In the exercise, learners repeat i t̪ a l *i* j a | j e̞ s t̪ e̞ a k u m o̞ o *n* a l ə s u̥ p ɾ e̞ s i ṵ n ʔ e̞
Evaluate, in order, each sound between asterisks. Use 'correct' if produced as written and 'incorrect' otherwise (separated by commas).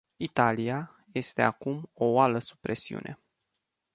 correct, incorrect